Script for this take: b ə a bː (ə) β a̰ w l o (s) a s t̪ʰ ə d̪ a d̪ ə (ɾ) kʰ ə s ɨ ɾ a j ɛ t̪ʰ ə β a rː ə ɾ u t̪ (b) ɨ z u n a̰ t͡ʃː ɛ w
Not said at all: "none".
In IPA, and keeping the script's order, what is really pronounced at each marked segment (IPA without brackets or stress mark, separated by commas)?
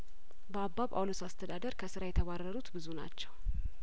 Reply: a, s, ɾ, b